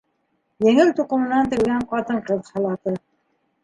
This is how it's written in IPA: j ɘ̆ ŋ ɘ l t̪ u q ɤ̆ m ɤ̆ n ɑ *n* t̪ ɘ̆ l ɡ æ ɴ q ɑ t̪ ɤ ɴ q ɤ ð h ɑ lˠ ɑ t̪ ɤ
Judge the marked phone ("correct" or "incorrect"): correct